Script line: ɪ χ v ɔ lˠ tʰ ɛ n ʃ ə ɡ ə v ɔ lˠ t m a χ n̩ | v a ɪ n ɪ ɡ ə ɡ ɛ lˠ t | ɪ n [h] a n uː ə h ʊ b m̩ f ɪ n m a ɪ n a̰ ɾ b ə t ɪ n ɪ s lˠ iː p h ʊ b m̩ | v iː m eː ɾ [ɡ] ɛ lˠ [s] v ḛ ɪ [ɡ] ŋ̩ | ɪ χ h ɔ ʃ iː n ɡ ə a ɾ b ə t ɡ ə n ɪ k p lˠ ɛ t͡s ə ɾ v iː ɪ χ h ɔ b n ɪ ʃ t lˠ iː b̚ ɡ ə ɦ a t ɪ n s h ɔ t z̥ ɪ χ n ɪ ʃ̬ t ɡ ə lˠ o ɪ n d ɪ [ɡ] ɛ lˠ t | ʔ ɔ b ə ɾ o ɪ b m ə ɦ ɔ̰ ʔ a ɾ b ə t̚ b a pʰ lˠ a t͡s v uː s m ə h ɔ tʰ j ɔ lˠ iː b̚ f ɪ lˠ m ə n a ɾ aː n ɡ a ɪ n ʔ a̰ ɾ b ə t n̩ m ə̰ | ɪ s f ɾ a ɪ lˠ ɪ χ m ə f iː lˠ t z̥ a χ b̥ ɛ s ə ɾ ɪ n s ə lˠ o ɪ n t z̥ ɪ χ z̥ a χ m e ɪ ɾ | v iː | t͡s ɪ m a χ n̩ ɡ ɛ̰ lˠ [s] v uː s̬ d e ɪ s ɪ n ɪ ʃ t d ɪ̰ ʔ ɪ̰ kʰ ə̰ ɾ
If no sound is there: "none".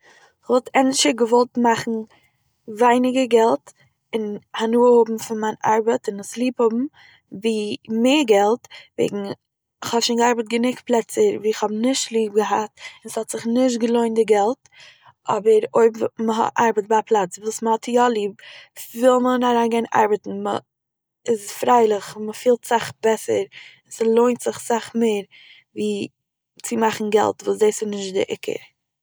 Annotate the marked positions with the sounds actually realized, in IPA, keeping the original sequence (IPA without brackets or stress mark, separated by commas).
h, ɡ, t, ɡ, ɡ, t